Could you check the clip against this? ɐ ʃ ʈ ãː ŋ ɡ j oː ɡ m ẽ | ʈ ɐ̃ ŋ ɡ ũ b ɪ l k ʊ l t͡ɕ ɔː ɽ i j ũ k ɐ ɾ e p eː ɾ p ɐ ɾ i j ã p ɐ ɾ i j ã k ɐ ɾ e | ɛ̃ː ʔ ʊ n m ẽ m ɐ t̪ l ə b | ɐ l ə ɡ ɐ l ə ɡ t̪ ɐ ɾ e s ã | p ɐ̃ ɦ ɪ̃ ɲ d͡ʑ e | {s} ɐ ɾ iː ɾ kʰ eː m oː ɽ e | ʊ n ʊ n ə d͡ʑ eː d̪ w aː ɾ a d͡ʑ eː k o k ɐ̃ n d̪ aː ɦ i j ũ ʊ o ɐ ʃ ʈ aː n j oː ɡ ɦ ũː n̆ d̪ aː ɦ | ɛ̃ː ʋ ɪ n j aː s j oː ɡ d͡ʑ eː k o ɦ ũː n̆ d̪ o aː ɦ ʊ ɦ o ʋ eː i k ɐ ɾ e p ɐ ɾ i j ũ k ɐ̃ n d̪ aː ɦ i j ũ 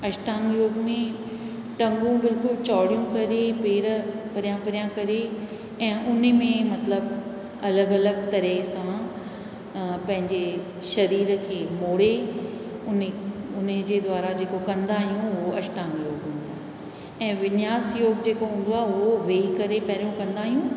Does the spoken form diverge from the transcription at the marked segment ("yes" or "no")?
yes